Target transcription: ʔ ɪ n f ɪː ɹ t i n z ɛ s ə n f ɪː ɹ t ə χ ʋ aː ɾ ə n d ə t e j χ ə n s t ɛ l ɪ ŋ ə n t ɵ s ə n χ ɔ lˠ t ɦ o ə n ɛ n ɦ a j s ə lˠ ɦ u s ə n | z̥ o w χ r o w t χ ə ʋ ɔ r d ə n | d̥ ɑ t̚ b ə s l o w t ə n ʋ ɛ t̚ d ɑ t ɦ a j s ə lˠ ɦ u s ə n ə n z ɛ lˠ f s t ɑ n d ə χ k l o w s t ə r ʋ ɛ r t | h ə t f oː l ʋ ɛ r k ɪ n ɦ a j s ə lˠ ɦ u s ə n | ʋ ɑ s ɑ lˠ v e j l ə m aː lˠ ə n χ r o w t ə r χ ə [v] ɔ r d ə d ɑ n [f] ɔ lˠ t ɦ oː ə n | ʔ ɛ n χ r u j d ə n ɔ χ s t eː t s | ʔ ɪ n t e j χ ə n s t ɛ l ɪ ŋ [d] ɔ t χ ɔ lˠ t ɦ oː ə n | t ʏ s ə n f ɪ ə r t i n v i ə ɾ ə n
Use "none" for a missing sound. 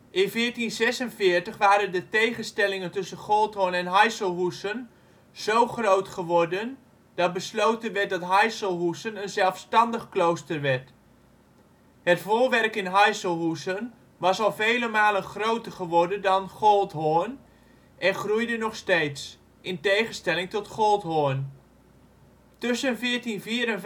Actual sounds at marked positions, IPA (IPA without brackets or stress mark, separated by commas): ʋ, χ, t